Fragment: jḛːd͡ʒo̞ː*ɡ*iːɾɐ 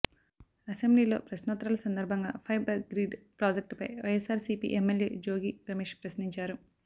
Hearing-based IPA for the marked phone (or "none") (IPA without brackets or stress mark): ɡ